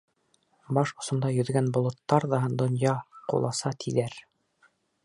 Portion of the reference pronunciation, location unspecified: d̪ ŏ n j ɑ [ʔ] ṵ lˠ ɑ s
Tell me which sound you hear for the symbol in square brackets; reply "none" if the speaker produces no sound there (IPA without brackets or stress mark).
q